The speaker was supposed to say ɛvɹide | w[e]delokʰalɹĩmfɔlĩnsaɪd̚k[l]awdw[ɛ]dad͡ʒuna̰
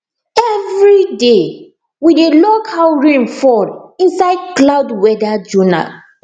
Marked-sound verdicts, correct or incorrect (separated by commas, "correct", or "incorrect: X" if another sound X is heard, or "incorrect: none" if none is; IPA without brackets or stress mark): incorrect: i, correct, correct